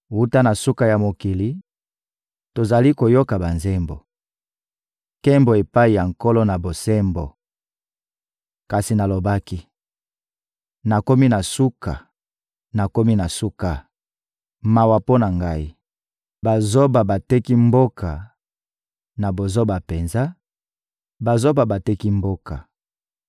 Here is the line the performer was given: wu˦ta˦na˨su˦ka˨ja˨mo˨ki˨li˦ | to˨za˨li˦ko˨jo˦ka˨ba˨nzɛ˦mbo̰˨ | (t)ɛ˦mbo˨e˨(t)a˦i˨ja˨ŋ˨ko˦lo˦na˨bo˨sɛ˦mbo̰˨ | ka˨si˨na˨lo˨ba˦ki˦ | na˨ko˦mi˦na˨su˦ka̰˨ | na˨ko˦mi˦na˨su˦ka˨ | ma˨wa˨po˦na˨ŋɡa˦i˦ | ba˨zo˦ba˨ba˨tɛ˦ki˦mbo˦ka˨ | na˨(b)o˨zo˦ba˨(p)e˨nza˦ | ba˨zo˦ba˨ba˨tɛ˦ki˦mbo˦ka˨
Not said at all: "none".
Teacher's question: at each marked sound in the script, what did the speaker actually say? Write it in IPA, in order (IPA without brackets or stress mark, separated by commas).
k, p, b, p